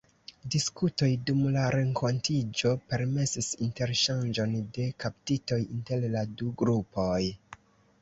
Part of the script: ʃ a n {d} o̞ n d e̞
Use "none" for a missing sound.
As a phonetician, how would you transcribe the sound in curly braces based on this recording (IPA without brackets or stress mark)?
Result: d͡ʒ